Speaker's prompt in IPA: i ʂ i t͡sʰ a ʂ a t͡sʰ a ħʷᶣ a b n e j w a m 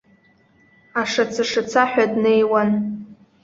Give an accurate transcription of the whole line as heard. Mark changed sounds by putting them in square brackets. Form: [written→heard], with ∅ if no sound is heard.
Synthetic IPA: [i→a] ʂ [i→a] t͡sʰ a ʂ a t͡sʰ a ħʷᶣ a [b→d] n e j w a [m→n]